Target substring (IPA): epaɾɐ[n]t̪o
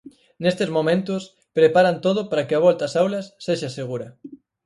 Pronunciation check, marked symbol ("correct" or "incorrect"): correct